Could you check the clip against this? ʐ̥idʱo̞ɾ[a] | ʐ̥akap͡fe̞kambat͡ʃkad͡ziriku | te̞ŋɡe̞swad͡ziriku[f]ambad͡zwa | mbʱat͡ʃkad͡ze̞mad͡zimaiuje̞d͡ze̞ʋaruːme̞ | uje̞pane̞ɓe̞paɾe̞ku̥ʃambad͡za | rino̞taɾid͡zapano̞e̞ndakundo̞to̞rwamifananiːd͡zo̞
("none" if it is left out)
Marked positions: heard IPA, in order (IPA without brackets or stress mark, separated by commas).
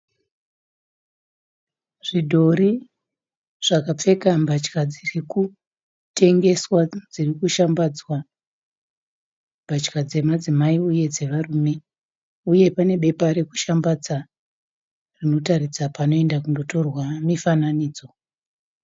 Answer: i, ʃ